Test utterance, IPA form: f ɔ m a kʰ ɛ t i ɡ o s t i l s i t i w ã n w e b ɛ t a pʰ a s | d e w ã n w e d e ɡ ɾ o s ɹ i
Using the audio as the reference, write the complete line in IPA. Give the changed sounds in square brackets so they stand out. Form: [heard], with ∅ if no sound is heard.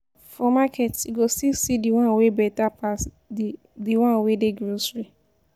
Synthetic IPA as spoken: f ɔ m a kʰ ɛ t i ɡ o s t i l s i [d] i w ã n w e b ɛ t a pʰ a s | d [i] w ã n w e d e ɡ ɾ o s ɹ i